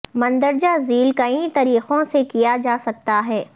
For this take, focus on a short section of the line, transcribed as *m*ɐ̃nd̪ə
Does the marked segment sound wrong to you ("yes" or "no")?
no